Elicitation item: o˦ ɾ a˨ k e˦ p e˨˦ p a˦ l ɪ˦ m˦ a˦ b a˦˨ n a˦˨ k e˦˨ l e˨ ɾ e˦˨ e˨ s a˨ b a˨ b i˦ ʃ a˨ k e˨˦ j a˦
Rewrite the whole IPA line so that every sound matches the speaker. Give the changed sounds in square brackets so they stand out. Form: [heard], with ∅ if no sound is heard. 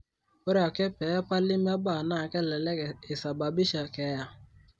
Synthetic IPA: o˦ ɾ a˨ k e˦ p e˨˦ p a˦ l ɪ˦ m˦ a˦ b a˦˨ n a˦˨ k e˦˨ l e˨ [l] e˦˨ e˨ s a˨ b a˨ b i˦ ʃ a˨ k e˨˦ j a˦